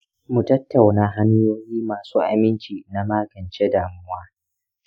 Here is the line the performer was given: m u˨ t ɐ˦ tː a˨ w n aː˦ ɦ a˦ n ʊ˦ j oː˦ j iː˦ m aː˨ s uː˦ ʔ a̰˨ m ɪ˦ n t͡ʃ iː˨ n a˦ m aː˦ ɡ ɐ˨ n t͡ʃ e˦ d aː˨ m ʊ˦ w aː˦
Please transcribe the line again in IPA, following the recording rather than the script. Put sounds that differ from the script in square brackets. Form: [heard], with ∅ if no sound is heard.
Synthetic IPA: m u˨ t ɐ˦ tː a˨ w n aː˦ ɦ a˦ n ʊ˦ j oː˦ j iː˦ m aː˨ s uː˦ ʔ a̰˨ m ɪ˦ n t͡ʃ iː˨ n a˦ m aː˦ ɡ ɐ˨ n t͡ʃ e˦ d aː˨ m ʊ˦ w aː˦

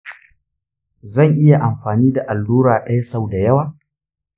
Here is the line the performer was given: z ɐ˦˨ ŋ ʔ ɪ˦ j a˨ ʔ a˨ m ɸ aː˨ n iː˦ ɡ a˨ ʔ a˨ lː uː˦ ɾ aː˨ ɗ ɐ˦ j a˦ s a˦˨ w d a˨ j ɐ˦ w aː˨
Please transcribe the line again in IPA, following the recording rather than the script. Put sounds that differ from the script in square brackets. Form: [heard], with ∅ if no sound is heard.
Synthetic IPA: z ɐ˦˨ ŋ ʔ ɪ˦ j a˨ ʔ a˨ m ɸ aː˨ n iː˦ [d] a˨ ʔ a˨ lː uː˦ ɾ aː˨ ɗ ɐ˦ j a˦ s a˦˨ w d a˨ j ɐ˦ w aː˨

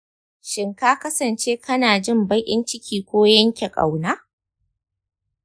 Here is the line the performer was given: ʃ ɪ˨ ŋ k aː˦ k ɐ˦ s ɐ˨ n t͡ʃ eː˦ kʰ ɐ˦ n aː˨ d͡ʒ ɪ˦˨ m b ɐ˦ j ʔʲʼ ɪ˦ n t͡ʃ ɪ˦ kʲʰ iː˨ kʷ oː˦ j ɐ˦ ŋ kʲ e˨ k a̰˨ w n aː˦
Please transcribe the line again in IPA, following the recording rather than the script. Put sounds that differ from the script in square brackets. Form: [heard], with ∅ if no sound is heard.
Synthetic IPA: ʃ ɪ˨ ŋ k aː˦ k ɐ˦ s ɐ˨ n t͡ʃ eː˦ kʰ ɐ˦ n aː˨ d͡ʒ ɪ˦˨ m b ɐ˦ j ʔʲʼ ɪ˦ n t͡ʃ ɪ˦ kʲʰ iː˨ kʷ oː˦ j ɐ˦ ŋ kʲ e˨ [kʼ] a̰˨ w n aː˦

